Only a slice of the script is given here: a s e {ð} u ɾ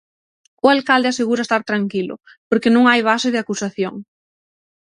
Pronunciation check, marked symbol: incorrect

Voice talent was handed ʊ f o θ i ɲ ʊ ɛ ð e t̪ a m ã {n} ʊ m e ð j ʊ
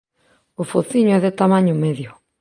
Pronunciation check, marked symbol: incorrect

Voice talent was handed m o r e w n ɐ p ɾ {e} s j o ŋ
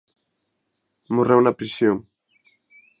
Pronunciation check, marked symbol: incorrect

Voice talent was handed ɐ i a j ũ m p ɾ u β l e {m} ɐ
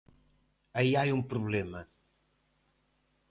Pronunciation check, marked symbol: correct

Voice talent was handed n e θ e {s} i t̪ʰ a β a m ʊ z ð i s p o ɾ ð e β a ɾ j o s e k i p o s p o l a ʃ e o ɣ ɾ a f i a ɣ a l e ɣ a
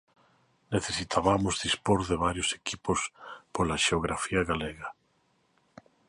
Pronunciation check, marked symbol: correct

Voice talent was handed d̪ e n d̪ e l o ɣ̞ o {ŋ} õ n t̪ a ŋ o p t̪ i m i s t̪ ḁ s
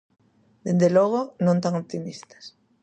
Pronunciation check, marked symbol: incorrect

